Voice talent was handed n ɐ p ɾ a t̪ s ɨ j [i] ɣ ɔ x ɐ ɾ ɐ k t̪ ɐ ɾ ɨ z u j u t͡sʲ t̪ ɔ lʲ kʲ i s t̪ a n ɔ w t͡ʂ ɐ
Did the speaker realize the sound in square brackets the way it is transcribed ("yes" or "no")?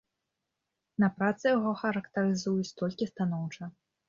no